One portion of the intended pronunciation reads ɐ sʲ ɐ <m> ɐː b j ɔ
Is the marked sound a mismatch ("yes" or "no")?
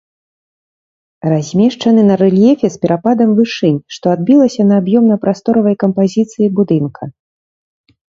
yes